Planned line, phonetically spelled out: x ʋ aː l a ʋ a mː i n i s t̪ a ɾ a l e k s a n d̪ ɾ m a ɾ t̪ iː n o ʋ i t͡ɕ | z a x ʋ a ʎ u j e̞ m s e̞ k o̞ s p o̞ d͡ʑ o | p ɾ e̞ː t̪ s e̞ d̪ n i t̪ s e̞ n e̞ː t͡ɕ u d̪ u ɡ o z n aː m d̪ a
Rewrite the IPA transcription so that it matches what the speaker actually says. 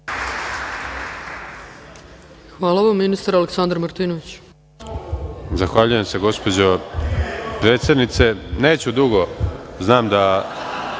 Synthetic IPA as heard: x ʋ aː l a ʋ a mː i n i s t̪ a ɾ a l e k s a n d̪ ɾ m a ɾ t̪ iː n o ʋ i t͡ɕ | z a x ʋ a ʎ u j e̞ m s e̞ ɡ o̞ s p o̞ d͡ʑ o | p ɾ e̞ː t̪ s e̞ d̪ n i t̪ s e̞ n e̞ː t͡ɕ u d̪ u ɡ o z n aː m d̪ a